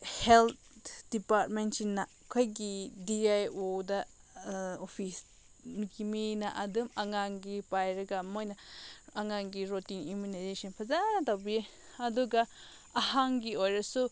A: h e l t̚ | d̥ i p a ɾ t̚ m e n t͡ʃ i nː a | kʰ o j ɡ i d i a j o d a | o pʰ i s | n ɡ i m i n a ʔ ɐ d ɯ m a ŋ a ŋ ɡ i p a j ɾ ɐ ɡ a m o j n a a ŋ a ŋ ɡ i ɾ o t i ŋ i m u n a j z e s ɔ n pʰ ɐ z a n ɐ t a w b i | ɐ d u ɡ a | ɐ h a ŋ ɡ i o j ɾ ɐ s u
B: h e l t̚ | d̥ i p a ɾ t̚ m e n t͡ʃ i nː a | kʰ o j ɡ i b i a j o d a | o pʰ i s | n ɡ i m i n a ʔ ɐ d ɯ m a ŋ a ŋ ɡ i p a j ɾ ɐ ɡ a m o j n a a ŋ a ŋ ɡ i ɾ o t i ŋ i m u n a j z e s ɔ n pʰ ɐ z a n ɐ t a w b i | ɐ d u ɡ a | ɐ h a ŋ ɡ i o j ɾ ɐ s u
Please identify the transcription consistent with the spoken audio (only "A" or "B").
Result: A